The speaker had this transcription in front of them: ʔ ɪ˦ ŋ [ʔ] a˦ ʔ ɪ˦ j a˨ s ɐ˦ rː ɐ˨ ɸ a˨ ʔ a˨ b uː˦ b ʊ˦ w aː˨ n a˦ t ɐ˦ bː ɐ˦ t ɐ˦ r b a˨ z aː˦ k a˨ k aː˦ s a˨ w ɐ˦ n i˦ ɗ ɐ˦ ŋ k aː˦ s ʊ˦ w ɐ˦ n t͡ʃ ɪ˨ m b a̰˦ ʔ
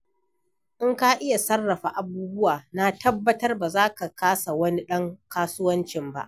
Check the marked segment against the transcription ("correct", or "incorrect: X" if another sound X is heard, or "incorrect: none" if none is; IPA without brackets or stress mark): incorrect: k